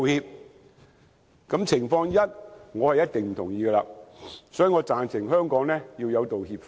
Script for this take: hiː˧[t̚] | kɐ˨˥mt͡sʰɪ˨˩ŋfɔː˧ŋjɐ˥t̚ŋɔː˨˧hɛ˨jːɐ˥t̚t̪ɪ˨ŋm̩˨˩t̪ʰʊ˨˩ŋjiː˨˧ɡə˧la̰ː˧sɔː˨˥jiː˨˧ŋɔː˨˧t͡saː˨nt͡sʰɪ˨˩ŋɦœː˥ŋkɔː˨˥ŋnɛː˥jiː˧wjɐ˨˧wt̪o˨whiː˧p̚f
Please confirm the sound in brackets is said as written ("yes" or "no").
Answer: no